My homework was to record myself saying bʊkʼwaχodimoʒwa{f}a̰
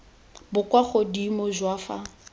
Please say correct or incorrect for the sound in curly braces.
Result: correct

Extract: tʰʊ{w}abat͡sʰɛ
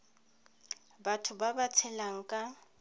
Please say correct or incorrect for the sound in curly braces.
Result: incorrect: b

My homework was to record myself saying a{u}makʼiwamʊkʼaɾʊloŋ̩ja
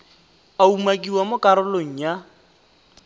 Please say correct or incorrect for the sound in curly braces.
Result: correct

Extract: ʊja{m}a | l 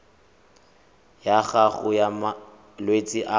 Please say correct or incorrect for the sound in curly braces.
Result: correct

